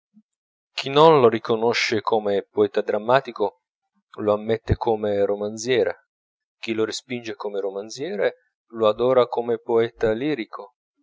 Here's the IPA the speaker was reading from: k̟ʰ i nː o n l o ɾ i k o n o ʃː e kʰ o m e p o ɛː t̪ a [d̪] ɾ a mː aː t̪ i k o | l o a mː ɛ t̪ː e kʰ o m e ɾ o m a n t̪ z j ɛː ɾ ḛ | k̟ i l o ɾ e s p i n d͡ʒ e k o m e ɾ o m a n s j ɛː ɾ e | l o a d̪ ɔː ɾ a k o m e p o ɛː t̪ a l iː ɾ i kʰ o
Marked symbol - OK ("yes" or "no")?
yes